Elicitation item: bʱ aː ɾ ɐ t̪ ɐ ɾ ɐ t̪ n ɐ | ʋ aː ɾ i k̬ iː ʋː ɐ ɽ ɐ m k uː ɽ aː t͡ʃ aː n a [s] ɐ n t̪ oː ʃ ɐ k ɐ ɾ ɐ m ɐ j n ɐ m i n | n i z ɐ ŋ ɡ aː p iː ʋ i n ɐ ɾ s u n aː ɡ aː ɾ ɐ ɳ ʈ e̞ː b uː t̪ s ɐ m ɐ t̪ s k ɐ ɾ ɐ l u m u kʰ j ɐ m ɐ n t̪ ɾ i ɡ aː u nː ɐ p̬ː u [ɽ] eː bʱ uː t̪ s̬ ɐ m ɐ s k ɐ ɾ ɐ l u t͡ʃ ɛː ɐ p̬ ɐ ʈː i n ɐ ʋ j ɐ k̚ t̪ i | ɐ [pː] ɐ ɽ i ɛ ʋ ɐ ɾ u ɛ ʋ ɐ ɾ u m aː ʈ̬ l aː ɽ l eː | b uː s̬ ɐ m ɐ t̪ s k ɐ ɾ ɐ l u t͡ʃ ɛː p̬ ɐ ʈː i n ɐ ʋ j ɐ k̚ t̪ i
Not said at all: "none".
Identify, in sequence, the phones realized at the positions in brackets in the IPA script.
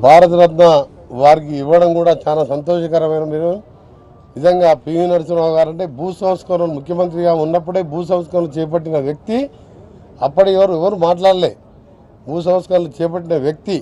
s, ɽ, pː

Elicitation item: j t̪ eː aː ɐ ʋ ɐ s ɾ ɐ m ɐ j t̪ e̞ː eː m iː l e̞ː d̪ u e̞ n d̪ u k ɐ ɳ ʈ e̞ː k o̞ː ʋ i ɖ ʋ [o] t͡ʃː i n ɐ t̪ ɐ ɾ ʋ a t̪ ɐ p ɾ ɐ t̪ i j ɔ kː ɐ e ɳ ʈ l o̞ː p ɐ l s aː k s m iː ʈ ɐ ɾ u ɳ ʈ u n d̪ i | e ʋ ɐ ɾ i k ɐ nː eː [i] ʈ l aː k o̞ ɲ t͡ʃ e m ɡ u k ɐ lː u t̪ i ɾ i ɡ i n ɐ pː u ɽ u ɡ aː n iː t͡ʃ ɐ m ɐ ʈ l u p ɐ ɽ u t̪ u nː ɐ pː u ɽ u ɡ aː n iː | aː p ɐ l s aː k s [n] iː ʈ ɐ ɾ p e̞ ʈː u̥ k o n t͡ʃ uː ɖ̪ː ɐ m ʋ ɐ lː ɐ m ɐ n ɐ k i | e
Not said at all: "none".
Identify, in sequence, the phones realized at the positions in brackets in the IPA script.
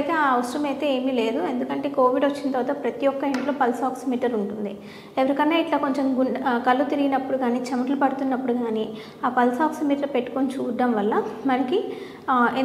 o, i, m

